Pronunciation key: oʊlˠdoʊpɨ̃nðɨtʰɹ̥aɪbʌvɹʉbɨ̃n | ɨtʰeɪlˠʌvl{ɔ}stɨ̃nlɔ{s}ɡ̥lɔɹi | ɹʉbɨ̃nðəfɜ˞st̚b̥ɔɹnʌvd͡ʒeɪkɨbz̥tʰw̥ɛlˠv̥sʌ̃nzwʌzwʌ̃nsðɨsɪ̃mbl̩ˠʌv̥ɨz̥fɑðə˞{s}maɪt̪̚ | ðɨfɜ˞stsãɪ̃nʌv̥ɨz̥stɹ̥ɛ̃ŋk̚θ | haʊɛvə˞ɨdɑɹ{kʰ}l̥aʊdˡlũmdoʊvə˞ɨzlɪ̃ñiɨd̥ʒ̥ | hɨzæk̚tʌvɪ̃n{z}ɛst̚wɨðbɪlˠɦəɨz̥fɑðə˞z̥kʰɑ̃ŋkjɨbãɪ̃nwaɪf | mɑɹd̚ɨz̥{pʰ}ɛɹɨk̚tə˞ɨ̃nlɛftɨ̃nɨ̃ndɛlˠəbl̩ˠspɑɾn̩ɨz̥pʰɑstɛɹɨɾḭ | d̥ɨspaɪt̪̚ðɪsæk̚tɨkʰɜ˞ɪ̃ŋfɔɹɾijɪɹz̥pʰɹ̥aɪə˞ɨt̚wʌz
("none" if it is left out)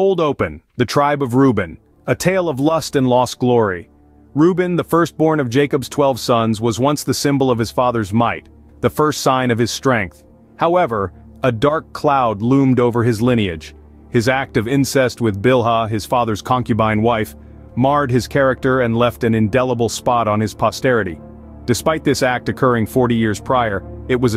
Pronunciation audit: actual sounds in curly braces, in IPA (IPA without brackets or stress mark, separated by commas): ʌ, s, z, kʰ, s, kʰ